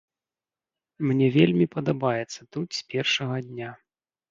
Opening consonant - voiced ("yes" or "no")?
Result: yes